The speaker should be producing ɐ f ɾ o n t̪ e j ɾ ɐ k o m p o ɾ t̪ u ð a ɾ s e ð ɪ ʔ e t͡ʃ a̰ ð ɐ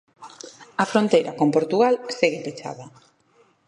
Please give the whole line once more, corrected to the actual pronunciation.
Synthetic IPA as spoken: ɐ f ɾ o n t̪ e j ɾ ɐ k o m p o ɾ t̪ u ɣ a l s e ɣ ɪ p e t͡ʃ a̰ ð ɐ